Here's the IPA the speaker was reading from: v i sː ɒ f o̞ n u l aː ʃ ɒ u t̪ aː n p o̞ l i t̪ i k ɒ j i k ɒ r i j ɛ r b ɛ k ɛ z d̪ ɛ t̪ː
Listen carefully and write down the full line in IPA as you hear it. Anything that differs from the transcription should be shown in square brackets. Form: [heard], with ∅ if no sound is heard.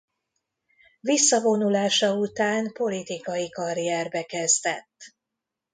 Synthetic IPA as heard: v i sː ɒ [v] o̞ n u l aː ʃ ɒ u t̪ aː n p o̞ l i t̪ i k ɒ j i k ɒ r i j ɛ r b ɛ k ɛ z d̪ ɛ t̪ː